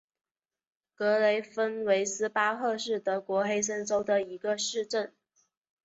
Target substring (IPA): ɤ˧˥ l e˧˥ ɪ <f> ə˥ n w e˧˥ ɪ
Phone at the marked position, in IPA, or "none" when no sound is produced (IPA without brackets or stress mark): f